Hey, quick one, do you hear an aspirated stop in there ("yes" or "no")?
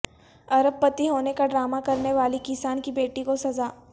no